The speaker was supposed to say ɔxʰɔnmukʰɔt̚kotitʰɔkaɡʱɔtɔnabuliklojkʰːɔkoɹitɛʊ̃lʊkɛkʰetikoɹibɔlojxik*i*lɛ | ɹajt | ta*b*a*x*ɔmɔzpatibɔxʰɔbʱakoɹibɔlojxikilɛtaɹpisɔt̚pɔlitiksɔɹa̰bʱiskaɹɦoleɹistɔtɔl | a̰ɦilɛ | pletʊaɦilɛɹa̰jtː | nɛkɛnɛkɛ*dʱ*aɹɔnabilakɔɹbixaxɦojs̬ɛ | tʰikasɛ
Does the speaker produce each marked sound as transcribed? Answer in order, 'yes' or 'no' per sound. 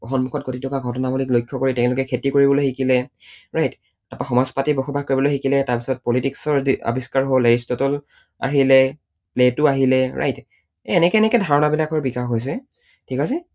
yes, no, yes, yes

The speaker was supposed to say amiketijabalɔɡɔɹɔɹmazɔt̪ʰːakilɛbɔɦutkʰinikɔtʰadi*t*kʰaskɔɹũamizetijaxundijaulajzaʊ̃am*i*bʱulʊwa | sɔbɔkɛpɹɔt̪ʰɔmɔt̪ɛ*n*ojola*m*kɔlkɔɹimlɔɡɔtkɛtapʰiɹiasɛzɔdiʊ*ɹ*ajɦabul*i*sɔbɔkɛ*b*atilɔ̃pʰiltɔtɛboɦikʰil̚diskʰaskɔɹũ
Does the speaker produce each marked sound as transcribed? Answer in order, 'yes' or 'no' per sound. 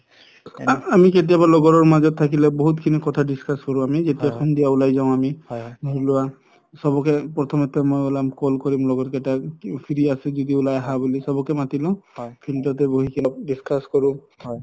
no, yes, no, yes, no, yes, no

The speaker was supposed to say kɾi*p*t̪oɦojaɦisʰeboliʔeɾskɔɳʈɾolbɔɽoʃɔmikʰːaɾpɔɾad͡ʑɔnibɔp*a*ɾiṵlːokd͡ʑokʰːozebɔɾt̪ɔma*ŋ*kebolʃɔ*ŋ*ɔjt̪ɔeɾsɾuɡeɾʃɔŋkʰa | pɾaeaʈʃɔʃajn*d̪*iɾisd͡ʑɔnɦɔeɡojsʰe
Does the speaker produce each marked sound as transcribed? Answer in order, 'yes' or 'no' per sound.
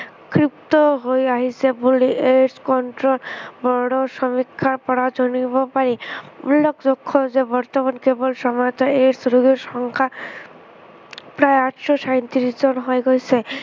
yes, yes, no, no, no

